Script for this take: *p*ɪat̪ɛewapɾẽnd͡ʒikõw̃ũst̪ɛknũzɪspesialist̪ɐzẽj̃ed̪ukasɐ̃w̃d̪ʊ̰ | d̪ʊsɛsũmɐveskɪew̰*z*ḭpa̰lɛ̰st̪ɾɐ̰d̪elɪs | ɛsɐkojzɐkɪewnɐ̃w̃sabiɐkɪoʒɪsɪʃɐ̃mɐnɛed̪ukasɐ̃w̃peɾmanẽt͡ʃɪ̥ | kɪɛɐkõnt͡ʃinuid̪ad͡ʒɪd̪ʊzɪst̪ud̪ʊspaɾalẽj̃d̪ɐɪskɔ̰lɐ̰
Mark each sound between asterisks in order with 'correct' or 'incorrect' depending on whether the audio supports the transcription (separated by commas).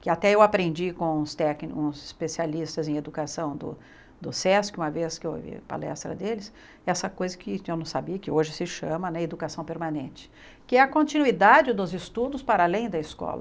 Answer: incorrect, incorrect